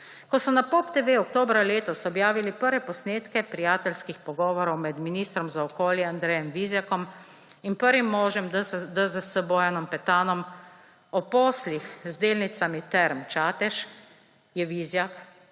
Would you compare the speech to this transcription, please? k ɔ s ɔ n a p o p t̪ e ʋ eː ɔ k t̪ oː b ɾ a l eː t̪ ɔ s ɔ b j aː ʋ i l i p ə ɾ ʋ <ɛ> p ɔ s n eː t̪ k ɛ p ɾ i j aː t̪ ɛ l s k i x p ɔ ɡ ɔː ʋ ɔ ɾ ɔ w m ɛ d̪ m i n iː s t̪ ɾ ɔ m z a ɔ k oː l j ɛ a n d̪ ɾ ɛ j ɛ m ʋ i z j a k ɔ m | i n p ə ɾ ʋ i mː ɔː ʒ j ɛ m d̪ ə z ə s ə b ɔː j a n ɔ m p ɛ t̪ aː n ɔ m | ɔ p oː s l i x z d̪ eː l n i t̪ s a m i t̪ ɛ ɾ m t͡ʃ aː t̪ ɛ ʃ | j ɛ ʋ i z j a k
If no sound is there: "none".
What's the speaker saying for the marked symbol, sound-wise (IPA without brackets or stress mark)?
ɛ